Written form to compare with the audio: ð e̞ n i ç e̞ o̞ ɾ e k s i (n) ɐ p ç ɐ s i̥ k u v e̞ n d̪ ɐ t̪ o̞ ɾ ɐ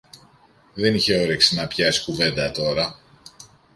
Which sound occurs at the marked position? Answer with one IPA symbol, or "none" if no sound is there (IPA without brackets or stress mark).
n